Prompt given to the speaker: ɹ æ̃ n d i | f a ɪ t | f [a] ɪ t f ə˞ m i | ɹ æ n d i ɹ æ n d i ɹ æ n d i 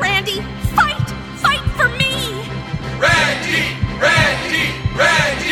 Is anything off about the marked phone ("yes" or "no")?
no